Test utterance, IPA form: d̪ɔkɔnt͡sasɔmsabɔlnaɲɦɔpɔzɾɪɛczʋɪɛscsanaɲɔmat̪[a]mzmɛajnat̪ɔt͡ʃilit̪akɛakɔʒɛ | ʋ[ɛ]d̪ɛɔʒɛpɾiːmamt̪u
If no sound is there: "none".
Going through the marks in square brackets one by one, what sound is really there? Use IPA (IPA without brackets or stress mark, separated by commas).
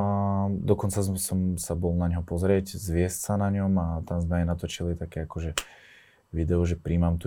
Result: a, i